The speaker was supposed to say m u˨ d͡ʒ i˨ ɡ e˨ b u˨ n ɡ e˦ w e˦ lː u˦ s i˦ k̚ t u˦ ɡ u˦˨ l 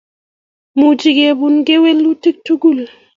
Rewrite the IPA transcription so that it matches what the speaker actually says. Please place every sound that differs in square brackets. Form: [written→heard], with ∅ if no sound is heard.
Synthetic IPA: m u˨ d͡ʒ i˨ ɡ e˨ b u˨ n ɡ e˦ w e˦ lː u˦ [s→t] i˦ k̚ t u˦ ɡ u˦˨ l